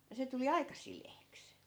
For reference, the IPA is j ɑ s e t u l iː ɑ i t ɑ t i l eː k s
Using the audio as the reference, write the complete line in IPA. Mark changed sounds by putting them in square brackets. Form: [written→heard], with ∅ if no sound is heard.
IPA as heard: j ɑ s e t u l [iː→i] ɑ i [t→k] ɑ [t→s] i l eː k s